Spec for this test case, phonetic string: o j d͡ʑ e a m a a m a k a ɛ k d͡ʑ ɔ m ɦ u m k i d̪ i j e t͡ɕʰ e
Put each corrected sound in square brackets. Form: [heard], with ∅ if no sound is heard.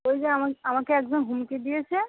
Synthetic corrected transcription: o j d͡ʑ e a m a a m a k [e] ɛ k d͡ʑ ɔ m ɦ u m k [e] d̪ i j e t͡ɕʰ e